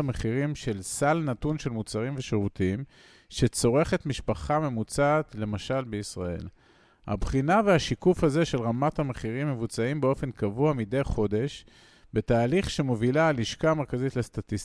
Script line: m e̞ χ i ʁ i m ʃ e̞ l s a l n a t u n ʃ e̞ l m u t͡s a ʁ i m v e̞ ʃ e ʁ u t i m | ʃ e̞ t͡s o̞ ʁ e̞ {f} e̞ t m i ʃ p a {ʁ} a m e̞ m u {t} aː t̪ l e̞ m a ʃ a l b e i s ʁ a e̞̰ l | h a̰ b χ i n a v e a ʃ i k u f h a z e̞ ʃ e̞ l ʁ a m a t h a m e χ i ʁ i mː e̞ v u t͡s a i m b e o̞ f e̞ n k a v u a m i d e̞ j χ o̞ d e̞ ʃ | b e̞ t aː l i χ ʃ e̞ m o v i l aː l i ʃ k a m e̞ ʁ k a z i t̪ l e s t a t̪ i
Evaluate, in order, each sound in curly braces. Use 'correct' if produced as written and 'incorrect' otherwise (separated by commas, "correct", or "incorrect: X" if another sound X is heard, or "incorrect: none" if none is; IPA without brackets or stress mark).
incorrect: χ, incorrect: χ, incorrect: t͡s